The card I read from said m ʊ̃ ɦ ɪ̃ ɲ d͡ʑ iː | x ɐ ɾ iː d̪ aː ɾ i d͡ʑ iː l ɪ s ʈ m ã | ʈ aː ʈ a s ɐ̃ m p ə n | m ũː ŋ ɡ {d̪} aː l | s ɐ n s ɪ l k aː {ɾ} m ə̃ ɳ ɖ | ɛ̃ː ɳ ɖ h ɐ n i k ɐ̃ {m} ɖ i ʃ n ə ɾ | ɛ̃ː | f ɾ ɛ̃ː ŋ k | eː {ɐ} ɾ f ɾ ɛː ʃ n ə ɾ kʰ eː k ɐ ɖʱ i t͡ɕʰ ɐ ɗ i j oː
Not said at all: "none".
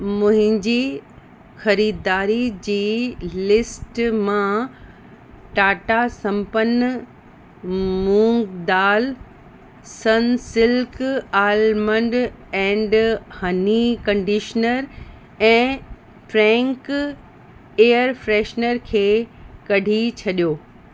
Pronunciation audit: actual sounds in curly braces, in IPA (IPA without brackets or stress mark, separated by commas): d̪, l, ɳ, ə